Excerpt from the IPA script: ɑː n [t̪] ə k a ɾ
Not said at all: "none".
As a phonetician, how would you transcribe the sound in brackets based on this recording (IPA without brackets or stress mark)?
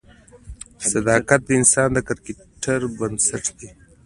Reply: d̪